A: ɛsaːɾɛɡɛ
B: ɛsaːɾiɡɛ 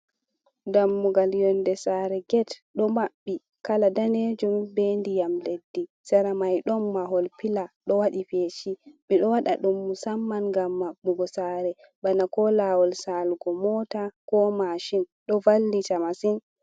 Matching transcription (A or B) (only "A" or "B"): A